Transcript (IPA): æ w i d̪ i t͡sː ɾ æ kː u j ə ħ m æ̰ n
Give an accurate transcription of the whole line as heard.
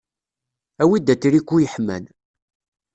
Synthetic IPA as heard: æ w i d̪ æ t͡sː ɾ i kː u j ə ħ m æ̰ n